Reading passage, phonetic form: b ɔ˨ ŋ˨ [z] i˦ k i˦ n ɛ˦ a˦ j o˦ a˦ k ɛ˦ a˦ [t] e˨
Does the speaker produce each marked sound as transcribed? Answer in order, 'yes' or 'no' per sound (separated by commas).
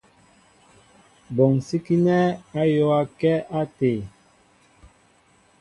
no, yes